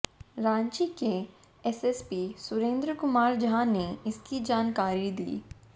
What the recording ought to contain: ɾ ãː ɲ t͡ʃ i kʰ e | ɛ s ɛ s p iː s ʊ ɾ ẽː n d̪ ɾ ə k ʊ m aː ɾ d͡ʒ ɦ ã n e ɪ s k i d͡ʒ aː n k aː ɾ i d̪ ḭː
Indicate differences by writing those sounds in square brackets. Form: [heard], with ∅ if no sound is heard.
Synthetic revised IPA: ɾ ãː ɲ t͡ʃ i [k] e | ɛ s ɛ s p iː s ʊ ɾ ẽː n d̪ ɾ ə k ʊ m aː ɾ d͡ʒ ɦ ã n e ɪ s k i d͡ʒ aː n k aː ɾ i d̪ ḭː